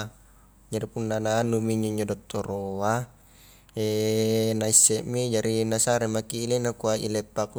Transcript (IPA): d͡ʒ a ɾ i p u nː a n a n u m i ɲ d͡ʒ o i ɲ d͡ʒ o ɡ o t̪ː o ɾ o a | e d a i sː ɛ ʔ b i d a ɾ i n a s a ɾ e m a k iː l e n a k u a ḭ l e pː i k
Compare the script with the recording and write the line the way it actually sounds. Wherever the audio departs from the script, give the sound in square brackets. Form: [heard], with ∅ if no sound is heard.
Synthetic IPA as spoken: d͡ʒ a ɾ i p u nː a n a n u m i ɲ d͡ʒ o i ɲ d͡ʒ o [d] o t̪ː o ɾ o a | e [n] a i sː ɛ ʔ [m] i [d͡ʒ] a ɾ i n a s a ɾ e m a k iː l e n a k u a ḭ l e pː [a] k